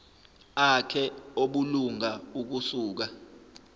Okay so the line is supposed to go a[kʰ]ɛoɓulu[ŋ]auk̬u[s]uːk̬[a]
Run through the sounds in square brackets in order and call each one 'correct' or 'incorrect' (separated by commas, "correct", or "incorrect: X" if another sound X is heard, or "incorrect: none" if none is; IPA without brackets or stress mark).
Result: correct, correct, correct, correct